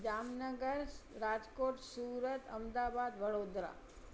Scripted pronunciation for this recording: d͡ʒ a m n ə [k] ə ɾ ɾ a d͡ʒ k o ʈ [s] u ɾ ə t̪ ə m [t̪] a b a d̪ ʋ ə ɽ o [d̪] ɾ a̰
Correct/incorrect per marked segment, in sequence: incorrect: ɡ, correct, incorrect: d̪, correct

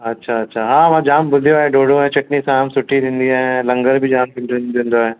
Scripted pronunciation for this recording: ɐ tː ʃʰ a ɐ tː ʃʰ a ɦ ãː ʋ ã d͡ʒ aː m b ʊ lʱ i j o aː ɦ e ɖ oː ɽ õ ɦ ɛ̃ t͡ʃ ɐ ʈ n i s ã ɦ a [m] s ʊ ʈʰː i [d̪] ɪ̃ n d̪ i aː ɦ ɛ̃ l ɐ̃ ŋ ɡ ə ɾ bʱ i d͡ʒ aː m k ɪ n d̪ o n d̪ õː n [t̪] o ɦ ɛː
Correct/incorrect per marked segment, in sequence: correct, correct, incorrect: d̪

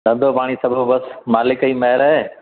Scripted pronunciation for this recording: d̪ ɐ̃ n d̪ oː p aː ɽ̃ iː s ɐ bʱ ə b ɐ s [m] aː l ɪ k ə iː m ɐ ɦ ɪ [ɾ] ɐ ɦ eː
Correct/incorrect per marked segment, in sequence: correct, correct

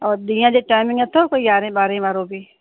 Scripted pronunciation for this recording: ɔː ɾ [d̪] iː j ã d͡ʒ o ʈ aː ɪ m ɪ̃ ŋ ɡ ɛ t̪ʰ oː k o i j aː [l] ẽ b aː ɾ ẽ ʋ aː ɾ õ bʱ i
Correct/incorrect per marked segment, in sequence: correct, incorrect: ɾ

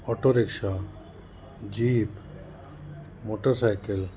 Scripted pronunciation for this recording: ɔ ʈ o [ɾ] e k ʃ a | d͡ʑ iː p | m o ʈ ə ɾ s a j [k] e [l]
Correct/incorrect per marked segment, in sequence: correct, correct, correct

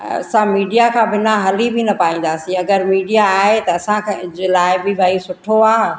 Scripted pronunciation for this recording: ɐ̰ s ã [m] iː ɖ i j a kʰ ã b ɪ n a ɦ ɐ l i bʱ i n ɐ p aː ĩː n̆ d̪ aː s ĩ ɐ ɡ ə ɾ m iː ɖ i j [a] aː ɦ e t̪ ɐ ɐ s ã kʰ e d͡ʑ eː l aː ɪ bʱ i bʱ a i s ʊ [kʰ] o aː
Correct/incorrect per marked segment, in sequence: correct, correct, incorrect: ʈʰ

